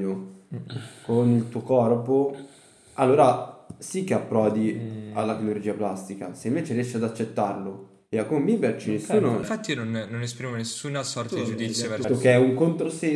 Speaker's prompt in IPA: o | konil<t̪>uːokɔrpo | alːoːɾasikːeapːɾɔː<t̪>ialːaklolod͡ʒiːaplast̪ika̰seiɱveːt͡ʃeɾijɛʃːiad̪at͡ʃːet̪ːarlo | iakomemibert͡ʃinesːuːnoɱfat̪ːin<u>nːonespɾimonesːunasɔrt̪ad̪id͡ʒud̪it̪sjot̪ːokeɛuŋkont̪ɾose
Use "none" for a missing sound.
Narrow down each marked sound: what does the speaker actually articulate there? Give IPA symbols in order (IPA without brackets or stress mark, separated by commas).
t̪, d̪, o